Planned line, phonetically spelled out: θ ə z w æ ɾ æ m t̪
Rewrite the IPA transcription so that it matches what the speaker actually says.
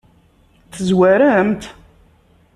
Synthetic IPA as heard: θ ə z w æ ɾ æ m t̪